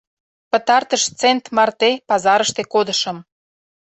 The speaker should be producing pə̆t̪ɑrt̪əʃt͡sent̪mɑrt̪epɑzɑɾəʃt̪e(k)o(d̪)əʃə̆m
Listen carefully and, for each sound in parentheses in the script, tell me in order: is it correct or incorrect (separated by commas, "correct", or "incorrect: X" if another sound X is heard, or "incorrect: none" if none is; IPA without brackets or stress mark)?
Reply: correct, correct